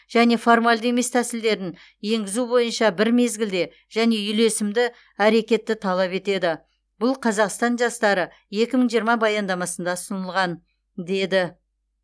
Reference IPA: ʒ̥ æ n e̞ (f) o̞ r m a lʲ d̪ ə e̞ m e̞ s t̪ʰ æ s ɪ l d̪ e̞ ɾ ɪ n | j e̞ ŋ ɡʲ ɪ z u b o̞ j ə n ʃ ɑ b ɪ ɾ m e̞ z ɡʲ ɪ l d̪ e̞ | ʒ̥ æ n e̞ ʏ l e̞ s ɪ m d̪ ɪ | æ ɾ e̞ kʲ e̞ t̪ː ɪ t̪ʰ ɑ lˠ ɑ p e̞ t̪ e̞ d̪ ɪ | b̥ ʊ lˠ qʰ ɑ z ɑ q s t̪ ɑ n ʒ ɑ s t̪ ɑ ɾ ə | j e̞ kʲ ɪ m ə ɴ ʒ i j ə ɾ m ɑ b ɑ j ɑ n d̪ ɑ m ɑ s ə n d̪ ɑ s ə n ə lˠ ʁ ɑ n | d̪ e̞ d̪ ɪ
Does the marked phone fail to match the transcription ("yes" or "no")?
no